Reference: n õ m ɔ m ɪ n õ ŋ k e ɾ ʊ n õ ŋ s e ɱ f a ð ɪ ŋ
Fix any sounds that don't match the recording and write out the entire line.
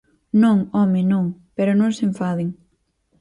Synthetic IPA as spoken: n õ ŋ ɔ m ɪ n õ ŋ p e ɾ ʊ n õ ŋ s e ɱ f a ð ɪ ŋ